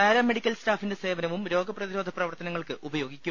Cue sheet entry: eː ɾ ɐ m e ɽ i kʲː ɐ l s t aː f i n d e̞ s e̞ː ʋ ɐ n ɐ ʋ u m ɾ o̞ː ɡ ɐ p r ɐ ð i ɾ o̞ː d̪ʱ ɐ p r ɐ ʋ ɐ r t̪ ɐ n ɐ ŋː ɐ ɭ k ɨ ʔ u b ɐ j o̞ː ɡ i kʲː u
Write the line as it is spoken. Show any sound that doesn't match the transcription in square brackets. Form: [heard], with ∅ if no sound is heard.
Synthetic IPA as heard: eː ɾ ɐ m e ɽ i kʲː ɐ l s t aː f i n d e̞ s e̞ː ʋ ɐ n ɐ ʋ u m ɾ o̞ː ɡ ɐ p r ɐ ð i ɾ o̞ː d̪ʱ ɐ p r ɐ ʋ ɐ r t̪ ɐ n ɐ ŋː ɐ ɭ k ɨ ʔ u b ɐ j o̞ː ɡ i kʲː u